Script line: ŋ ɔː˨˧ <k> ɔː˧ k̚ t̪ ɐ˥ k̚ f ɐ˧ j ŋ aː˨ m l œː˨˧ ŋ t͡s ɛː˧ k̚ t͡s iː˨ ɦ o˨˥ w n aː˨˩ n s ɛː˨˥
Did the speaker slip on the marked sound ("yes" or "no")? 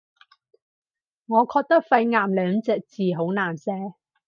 yes